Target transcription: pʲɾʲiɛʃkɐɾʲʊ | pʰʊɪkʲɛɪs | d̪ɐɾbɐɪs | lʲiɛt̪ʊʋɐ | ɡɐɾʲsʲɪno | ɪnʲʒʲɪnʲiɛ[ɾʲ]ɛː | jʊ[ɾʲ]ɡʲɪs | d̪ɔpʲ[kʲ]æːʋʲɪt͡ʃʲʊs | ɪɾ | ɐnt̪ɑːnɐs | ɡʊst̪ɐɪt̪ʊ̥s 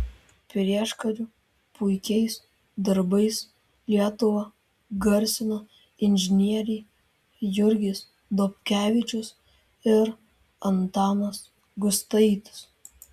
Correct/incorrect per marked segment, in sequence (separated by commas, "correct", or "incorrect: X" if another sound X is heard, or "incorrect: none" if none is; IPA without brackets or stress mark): correct, correct, correct